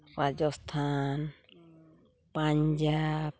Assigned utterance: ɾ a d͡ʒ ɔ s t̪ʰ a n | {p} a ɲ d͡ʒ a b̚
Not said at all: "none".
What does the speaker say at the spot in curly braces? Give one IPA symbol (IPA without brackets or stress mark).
p